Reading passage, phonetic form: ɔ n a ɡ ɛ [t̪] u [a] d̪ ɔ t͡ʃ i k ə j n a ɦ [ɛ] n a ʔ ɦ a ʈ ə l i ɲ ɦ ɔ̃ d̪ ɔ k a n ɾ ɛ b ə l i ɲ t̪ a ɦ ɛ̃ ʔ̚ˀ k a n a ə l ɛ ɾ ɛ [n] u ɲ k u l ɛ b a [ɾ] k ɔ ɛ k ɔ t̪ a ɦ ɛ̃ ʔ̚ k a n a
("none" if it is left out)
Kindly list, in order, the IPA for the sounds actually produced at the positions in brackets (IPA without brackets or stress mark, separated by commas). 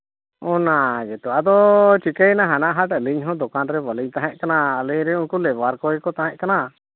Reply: t̪, a, a, none, ɾ